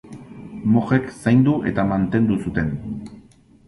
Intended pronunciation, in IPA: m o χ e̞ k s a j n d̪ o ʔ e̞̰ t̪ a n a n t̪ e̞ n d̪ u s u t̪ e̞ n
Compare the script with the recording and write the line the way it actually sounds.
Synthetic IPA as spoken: m o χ e̞ k s a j n d̪ u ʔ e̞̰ t̪ a m a n t̪ e̞ n d̪ u s u t̪ e̞ n